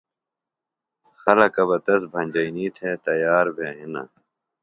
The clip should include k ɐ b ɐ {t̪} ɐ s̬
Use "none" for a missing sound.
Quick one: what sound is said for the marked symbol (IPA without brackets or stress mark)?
t̪